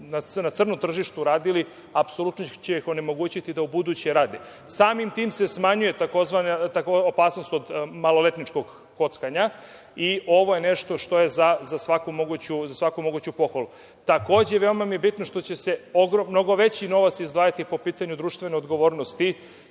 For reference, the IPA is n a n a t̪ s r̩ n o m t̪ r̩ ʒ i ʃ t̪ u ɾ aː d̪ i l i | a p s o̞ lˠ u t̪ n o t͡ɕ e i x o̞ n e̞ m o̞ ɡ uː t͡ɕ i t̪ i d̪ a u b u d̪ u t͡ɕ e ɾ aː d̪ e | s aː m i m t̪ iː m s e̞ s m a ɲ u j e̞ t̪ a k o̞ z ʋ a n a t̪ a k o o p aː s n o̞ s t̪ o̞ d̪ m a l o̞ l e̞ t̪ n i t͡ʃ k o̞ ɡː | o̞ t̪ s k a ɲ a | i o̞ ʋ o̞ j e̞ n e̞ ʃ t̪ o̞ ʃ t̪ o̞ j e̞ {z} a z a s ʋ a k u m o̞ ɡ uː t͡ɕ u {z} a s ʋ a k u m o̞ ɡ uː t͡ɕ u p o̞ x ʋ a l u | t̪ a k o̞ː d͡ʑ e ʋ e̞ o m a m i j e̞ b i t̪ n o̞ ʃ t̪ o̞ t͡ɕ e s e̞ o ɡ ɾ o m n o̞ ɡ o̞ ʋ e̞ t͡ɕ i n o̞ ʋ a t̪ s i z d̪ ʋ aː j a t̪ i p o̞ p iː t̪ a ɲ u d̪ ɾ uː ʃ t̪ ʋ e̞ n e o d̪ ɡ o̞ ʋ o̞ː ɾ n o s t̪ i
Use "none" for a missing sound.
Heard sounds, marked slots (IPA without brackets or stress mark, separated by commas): z, z